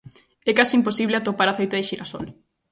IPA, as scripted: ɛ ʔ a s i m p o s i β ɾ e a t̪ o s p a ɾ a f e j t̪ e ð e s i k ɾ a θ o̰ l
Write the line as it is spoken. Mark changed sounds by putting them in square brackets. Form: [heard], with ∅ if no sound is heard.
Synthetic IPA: ɛ [k] a s i m p o s i β [l] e a t̪ o [∅] p a ɾ a [θ] e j t̪ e ð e [ʃ] i [∅] ɾ a [s] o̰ l